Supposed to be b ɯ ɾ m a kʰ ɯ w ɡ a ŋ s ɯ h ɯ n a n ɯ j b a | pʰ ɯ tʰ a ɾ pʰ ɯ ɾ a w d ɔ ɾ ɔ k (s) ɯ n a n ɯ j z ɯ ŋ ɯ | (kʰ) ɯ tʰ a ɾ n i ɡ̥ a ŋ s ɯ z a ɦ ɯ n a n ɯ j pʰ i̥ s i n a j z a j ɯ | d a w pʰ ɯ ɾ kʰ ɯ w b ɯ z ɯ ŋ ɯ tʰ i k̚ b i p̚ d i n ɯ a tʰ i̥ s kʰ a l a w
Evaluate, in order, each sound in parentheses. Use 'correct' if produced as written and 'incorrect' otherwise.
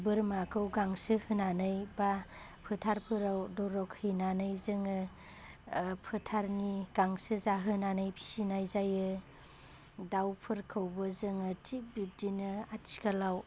incorrect: h, incorrect: pʰ

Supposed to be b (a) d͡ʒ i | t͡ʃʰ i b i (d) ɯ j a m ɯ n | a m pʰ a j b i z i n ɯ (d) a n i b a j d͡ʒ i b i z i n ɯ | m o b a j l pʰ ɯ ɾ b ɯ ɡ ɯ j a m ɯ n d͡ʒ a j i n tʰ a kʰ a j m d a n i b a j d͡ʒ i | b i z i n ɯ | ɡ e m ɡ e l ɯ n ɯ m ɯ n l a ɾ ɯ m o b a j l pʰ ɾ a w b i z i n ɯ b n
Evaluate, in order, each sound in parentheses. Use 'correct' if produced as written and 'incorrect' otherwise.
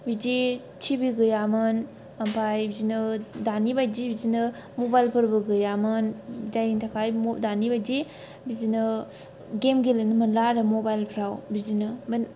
incorrect: i, incorrect: ɡ, correct

